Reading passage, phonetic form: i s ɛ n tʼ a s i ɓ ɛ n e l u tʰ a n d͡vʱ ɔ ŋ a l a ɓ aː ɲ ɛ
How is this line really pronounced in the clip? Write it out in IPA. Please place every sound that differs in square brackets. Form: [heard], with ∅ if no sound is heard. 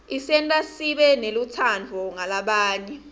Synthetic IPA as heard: i s ɛ n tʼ a s i ɓ ɛ n e l u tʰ a n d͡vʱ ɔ ŋ a l a ɓ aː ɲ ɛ